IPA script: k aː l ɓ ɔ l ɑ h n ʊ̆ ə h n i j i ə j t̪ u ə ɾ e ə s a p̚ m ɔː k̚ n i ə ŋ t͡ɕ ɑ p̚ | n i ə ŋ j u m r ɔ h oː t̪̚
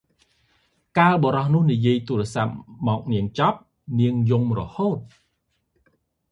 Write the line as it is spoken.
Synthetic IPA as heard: k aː l ɓ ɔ ɾ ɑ h n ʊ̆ ə h n i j i ə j t̪ u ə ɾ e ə s a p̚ m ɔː k̚ n i ə ŋ t͡ɕ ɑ p̚ | n i ə ŋ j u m r ɔ h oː t̪̚

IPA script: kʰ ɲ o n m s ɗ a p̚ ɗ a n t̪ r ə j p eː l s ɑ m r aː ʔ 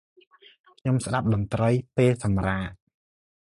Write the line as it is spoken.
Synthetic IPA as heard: kʰ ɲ o m s ɗ a p̚ ɗ ɑ n t̪ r ə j p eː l s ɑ m r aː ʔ

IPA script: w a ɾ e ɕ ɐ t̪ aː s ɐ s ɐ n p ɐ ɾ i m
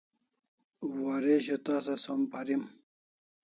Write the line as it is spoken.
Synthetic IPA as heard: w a ɾ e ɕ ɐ t̪ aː s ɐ s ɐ m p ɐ ɾ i m

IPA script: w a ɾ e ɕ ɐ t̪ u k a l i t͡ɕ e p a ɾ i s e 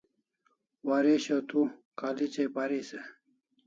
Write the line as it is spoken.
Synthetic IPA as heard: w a ɾ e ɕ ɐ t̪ u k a l i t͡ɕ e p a ɾ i s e

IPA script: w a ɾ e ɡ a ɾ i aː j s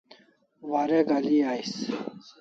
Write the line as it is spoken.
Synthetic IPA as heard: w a ɾ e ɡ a l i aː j s

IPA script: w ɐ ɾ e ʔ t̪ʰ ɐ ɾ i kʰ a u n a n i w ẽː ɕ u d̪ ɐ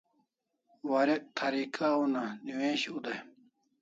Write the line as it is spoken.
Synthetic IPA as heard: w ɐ ɾ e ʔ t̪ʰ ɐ ɾ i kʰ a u n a n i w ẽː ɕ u d̪ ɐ

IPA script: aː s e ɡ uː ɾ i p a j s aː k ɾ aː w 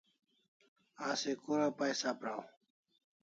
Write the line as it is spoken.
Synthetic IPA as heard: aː s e k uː ɾ a p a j s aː p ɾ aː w

